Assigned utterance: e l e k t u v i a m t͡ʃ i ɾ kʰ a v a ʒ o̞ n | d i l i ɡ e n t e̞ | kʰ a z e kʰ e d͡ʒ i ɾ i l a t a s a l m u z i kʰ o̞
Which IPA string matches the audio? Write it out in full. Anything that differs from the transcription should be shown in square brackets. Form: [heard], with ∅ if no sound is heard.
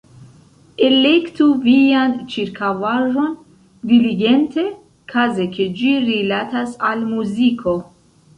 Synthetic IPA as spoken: e l e k t u v i a [n] t͡ʃ i ɾ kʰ a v a ʒ o̞ n | d i l i ɡ e n t e̞ | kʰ a z e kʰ e d͡ʒ i ɾ i l a t a s a l m u z i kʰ o̞